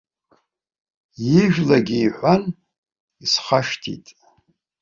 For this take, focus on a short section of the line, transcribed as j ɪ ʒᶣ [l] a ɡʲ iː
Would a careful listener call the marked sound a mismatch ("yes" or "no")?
no